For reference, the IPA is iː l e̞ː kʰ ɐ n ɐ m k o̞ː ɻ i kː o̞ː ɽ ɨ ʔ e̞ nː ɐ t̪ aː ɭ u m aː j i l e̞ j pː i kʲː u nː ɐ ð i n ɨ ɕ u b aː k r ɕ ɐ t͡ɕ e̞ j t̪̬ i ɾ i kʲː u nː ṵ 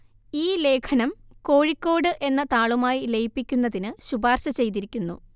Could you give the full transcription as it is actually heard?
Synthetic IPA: iː l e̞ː kʰ ɐ n ɐ m k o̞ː ɻ i kː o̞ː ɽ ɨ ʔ e̞ nː ɐ t̪ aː ɭ u m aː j i l e̞ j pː i kʲː u nː ɐ ð i n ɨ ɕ u b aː r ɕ ɐ t͡ɕ e̞ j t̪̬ i ɾ i kʲː u nː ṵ